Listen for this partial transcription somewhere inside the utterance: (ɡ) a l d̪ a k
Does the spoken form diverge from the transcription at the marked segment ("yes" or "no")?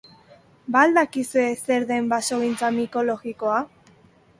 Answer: yes